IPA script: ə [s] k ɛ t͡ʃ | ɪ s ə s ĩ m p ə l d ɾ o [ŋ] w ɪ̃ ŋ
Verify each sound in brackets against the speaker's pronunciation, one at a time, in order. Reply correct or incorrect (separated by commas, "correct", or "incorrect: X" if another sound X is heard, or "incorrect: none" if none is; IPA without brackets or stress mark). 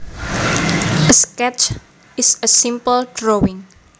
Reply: correct, incorrect: none